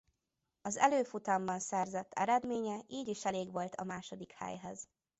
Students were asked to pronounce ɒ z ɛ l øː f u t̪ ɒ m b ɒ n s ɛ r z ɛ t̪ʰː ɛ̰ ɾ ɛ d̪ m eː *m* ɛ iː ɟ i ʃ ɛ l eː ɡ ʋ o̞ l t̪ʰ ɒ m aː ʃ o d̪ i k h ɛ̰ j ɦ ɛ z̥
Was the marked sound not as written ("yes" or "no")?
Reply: yes